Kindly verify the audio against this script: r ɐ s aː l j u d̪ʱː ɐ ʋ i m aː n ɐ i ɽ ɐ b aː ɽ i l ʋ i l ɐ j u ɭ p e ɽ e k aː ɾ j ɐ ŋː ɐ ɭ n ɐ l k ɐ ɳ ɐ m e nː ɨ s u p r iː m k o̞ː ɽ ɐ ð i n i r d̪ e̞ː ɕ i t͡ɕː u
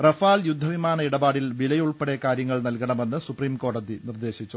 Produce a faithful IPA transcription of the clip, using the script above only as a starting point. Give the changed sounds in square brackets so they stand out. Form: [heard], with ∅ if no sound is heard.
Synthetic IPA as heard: r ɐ [f] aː l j u d̪ʱː ɐ ʋ i m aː n ɐ i ɽ ɐ b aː ɽ i l ʋ i l ɐ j u ɭ p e ɽ e k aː ɾ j ɐ ŋː ɐ ɭ n ɐ l k ɐ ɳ ɐ m e nː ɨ s u p r iː m k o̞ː ɽ ɐ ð i n i r d̪ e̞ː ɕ i t͡ɕː u

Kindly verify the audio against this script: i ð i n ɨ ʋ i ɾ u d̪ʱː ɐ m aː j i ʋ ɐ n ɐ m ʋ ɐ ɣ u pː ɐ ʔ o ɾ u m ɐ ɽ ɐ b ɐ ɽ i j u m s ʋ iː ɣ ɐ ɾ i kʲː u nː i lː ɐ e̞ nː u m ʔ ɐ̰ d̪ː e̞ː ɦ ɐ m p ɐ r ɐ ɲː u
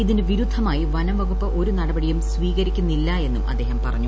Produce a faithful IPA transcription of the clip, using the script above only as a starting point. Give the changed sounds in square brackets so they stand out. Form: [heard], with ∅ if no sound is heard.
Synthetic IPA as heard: i ð i n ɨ ʋ i ɾ u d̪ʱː ɐ m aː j i ʋ ɐ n ɐ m ʋ ɐ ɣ u pː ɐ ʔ o ɾ u [n] ɐ ɽ ɐ b ɐ ɽ i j u m s ʋ iː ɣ ɐ ɾ i kʲː u nː i lː ɐ e̞ nː u m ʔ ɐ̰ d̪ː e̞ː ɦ ɐ m p ɐ r ɐ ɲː u

